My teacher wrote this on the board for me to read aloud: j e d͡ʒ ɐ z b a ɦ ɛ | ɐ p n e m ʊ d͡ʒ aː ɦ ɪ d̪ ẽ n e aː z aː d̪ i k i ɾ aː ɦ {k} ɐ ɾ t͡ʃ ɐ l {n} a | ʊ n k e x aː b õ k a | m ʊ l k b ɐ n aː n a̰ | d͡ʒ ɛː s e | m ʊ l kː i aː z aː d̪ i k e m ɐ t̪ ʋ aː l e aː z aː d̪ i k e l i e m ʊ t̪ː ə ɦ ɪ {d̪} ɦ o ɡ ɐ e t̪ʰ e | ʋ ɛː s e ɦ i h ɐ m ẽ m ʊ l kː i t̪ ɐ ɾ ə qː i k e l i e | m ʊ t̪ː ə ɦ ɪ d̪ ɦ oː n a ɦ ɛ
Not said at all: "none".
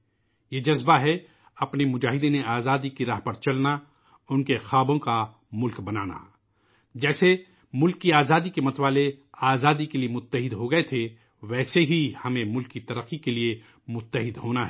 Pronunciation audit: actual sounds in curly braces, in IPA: p, n, d̪

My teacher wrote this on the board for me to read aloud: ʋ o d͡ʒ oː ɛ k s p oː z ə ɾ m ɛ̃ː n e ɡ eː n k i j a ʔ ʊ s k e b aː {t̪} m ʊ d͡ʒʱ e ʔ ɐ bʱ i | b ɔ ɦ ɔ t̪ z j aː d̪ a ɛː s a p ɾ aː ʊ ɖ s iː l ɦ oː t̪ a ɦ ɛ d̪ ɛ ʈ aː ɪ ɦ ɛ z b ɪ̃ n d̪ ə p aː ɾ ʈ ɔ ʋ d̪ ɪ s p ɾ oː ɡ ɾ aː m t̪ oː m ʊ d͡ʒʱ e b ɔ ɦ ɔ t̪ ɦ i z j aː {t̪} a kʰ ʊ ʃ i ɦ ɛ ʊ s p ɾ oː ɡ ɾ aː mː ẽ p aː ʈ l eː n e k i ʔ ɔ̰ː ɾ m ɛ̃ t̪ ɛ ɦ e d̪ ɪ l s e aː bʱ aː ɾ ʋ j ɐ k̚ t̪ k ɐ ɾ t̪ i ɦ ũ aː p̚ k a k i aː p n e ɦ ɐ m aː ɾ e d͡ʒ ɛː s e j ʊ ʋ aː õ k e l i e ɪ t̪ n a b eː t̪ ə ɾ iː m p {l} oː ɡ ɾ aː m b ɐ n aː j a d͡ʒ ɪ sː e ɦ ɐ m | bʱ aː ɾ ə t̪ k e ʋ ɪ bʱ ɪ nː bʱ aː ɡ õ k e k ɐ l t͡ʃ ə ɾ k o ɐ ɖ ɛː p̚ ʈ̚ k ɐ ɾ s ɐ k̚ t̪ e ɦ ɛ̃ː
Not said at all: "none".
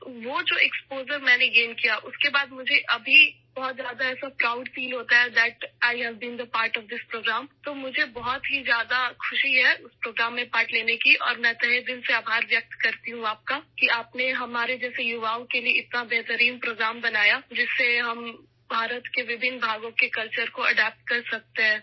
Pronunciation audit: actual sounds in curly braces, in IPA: d̪, d̪, ɾ

